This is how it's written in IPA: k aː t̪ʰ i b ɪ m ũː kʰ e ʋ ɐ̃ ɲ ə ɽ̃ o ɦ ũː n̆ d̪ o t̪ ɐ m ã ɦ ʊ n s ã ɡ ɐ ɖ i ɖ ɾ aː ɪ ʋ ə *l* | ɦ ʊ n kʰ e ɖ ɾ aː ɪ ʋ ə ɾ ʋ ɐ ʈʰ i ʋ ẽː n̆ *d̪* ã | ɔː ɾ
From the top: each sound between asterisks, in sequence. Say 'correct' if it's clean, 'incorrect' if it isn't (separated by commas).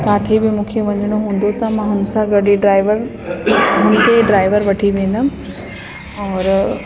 incorrect, correct